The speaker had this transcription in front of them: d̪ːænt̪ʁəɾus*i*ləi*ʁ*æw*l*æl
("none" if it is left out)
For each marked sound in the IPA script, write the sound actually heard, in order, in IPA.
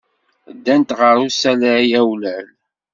æ, none, l

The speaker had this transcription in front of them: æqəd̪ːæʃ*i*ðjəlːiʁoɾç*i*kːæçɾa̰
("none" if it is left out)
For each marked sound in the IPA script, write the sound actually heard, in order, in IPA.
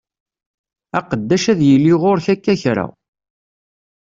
æ, æ

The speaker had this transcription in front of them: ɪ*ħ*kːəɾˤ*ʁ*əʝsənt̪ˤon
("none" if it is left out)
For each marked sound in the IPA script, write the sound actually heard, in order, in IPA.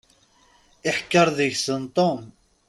ħ, ð

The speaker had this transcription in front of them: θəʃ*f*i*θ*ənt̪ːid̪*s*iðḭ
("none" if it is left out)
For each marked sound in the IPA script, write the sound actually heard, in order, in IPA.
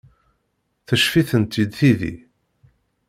f, θ, θ

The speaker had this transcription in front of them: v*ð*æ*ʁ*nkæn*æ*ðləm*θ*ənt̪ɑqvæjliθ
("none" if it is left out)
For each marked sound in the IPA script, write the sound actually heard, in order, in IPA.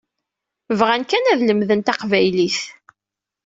ʁ, none, æ, ð

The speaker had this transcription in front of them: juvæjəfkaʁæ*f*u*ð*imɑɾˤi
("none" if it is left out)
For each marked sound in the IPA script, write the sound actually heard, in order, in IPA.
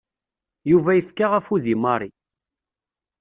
f, ð

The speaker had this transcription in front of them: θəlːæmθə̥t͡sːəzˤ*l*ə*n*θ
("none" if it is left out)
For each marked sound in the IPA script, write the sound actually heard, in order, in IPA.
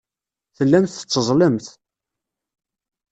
l, m

